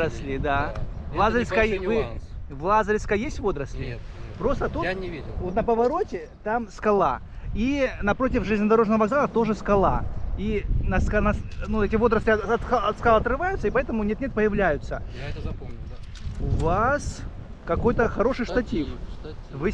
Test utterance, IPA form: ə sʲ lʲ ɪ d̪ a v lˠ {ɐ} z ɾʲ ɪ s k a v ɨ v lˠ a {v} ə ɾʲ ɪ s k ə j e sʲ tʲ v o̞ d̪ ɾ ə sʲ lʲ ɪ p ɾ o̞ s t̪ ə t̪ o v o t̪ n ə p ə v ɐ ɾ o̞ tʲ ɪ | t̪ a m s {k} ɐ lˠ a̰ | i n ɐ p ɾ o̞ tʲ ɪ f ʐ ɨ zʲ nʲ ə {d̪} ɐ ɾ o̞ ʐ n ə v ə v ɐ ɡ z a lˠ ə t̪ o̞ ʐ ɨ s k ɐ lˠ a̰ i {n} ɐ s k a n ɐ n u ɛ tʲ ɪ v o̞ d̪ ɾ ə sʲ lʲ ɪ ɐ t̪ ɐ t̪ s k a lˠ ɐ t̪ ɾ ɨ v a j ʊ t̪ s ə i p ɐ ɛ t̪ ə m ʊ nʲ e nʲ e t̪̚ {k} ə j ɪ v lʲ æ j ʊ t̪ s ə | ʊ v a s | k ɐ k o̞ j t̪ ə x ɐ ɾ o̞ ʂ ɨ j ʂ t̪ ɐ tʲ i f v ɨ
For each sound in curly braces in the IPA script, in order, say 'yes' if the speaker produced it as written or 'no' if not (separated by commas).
no, no, yes, yes, yes, no